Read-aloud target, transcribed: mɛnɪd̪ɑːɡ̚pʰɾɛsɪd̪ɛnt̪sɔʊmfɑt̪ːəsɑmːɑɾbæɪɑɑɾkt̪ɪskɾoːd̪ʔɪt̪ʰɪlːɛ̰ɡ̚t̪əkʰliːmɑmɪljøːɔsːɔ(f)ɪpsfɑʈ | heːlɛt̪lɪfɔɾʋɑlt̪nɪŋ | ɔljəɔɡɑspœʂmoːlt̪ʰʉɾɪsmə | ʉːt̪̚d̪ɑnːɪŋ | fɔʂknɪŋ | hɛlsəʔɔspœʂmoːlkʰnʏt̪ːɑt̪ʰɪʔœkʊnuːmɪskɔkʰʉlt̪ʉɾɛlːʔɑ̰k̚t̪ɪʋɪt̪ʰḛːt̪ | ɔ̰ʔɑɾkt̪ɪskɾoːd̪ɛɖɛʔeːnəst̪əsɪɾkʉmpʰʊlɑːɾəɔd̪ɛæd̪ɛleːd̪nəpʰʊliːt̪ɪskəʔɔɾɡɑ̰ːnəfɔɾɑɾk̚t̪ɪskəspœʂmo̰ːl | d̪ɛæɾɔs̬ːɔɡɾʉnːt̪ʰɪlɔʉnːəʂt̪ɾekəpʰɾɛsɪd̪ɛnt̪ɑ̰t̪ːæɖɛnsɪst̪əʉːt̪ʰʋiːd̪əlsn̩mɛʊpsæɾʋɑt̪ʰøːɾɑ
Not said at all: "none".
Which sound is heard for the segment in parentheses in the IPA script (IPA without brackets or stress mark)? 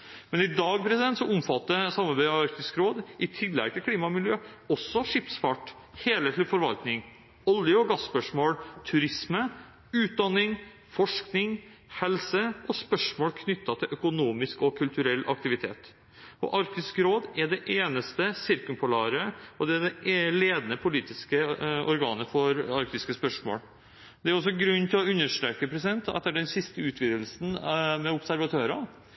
ʂ